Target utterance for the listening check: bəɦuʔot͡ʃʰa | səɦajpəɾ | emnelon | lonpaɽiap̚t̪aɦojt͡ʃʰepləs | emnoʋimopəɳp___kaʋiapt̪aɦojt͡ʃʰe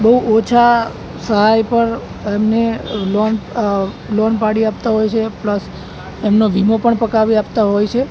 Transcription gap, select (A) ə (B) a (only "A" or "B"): A